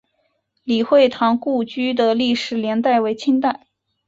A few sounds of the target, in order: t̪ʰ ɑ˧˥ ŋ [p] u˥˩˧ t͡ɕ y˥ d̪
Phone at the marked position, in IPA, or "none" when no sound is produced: k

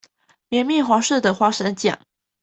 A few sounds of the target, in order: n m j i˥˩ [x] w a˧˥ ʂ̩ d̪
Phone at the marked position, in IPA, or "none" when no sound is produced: x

